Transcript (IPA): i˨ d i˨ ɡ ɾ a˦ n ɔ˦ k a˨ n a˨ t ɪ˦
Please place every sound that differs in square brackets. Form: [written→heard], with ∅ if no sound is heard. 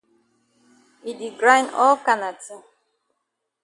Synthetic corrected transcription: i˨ d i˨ ɡ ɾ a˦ n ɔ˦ k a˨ n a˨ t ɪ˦

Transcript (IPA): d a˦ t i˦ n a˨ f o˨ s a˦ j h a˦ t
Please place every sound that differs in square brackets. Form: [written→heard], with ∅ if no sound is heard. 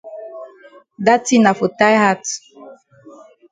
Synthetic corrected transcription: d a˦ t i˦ n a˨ f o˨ [s→t] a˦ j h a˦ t

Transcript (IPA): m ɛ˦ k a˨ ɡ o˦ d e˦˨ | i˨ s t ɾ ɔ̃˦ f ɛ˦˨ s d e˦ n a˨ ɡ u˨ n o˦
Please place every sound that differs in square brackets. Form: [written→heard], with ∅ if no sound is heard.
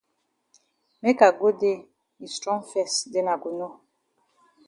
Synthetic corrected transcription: m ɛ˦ k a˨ ɡ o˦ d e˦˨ | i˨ s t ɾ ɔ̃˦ f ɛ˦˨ s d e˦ n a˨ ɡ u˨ n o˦

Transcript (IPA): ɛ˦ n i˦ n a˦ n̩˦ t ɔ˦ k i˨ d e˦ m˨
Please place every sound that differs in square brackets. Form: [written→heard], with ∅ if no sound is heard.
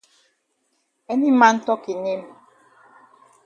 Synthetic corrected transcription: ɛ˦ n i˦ [n→m] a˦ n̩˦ t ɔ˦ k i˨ [d→n] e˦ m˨

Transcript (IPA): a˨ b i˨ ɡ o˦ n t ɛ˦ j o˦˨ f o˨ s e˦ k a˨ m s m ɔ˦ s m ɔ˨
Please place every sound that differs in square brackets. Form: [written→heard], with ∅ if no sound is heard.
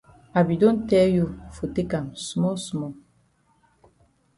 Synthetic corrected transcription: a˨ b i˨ [ɡ→d] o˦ n t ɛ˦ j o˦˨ f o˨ [s→t] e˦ k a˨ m s m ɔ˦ s m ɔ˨

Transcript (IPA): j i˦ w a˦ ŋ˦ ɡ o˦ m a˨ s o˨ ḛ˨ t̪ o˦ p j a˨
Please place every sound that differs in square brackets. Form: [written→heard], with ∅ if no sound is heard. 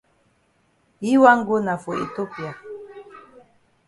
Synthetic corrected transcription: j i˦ w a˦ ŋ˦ ɡ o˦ [m→n] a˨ [s→f] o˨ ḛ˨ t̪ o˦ p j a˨

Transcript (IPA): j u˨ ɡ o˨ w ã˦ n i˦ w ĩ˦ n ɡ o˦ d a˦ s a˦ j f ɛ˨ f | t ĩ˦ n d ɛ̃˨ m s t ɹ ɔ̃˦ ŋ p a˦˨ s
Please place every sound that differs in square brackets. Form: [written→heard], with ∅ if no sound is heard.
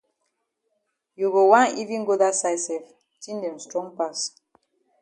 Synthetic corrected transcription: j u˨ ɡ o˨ w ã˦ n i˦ [w→v] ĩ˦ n ɡ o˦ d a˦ s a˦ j [f→s] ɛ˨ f | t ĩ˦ n d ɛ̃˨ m s t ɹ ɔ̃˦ ŋ p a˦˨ s

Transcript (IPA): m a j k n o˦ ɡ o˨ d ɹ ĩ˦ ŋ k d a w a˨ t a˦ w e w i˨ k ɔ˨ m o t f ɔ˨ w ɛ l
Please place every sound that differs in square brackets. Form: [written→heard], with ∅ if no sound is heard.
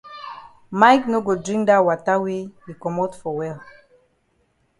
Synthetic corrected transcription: m a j k n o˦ ɡ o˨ d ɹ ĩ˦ ŋ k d a w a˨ t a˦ w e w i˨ k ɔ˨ m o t f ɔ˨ w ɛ l

